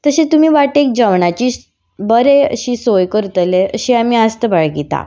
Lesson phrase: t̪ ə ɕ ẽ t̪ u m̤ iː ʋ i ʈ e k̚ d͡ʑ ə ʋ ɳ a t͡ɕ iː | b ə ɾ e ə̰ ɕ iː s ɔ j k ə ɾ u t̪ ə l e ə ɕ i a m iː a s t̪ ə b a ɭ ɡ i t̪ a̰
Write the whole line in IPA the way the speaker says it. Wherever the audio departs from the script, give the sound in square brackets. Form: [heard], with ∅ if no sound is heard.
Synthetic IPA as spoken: t̪ ə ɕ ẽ t̪ u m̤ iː ʋ [a] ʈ e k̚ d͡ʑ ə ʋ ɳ a t͡ɕ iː | b ə ɾ e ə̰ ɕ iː s [o] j k ə ɾ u t̪ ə l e ə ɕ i a m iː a s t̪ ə b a ɭ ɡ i t̪ a̰